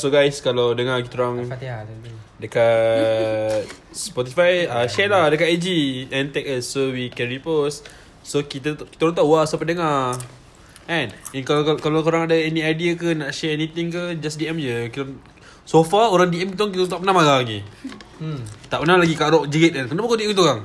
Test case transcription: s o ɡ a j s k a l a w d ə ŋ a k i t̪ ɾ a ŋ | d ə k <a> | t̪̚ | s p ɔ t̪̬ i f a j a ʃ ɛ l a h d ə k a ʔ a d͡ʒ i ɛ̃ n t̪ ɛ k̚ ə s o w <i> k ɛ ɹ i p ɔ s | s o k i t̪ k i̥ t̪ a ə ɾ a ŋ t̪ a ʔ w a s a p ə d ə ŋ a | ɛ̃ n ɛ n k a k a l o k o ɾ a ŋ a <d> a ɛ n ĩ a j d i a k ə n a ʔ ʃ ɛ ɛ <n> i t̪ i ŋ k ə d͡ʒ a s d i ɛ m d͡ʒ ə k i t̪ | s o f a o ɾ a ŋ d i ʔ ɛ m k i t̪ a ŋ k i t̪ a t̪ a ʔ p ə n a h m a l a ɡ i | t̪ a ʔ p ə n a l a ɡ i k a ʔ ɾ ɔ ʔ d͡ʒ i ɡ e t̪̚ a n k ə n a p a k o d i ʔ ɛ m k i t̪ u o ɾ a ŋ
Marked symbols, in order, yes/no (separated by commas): yes, yes, yes, yes